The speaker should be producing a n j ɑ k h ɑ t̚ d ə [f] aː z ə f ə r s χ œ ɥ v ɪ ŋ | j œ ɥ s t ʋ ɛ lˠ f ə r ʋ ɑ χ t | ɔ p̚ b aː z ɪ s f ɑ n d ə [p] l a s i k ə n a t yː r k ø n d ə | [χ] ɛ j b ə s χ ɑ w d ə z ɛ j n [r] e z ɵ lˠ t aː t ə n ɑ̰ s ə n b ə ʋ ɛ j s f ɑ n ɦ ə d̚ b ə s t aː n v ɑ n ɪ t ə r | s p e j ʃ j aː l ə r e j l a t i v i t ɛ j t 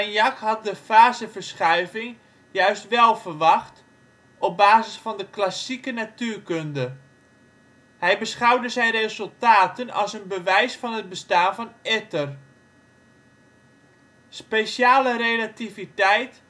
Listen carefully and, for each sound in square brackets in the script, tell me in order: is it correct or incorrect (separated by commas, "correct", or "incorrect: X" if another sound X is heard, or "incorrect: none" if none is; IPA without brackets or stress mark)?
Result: correct, incorrect: k, incorrect: h, correct